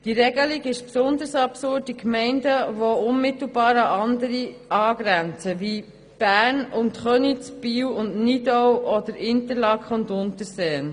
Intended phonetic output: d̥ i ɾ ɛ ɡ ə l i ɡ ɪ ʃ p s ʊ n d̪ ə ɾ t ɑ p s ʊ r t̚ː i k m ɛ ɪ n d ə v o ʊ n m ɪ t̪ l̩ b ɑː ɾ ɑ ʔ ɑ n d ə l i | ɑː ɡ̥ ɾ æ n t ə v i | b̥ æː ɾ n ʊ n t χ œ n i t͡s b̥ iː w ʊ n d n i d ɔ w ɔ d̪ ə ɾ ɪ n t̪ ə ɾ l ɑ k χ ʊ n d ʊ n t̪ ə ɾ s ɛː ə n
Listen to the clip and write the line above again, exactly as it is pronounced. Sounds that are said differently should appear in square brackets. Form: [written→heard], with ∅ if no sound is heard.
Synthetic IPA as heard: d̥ i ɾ ɛ ɡ ə l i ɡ ɪ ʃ p s ʊ n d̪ ə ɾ [t→s] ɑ p s ʊ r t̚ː i k m ɛ ɪ n d ə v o ʊ n m ɪ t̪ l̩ b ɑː ɾ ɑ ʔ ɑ n d ə [l→ɾ] i | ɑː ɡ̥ ɾ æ n [t→t͡s] ə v i | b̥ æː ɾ n ʊ n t χ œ n i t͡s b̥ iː w ʊ n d n i d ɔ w ɔ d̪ ə ɾ ɪ n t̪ ə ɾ l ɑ k χ ʊ n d ʊ n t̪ ə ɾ s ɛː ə n

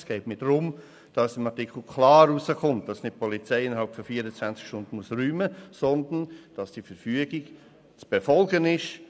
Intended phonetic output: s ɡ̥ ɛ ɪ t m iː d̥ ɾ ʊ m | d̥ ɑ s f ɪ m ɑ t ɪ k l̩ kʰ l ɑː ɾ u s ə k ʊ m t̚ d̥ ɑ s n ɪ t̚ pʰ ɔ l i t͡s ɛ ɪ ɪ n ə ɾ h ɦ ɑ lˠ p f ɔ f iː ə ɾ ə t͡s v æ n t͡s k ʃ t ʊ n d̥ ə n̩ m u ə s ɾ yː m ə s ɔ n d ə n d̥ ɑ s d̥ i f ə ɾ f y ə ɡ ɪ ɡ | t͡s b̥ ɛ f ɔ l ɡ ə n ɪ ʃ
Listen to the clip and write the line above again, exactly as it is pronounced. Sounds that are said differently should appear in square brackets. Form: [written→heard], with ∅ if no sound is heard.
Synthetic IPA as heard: s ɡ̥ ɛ ɪ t m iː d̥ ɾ ʊ m | d̥ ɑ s [f→s] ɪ m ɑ t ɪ k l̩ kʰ l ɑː ɾ u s ə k ʊ m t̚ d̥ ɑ s n ɪ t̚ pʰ ɔ l i t͡s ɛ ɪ ɪ n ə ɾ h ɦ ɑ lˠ p f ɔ f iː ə ɾ ə t͡s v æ n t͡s k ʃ t ʊ n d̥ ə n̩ m u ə s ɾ yː m ə s ɔ n d ə n d̥ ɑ s d̥ i f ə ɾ f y ə ɡ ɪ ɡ | t͡s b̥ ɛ f ɔ l ɡ ə n ɪ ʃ

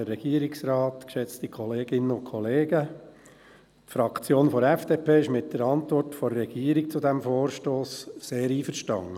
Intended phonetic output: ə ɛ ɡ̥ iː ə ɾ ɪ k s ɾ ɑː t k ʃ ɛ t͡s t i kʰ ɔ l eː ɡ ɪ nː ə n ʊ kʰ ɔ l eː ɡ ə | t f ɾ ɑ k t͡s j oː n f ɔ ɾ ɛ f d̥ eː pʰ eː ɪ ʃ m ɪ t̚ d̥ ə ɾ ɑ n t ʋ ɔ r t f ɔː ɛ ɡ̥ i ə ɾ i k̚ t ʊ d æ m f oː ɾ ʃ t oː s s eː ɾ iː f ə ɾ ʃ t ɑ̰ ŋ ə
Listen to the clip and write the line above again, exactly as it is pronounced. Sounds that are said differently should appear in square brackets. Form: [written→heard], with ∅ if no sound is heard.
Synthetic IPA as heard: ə ɛ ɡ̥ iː ə ɾ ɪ k s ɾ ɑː t k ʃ ɛ t͡s t i kʰ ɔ l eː ɡ ɪ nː ə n ʊ kʰ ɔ l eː ɡ ə | t f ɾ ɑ k t͡s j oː n f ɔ ɾ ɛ f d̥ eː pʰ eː ɪ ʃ m ɪ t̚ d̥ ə ɾ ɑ n t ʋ ɔ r t f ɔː ɛ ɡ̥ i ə ɾ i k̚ [t→t͡s] ʊ d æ m f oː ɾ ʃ t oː s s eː ɾ iː f ə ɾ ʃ t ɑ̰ ŋ ə

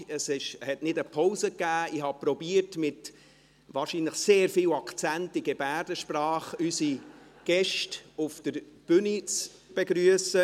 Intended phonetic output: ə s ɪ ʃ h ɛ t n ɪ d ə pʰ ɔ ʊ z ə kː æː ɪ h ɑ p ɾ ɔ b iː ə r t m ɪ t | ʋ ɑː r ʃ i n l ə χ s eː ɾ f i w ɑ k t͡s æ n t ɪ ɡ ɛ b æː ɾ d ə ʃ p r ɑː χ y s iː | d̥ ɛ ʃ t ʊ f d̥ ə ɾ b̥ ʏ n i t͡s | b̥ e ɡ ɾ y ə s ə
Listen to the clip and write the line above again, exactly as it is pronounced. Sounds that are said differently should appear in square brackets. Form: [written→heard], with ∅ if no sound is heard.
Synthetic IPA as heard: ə s ɪ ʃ h ɛ t n ɪ d ə pʰ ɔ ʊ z ə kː æː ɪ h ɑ p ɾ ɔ b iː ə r t m ɪ t | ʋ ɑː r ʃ i n l ə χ s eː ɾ f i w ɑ k t͡s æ n t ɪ ɡ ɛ b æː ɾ d ə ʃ p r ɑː χ y s [iː→i] | [d̥→ɡ̥] ɛ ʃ t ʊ f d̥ ə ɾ b̥ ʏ n i t͡s | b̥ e ɡ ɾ y ə s ə

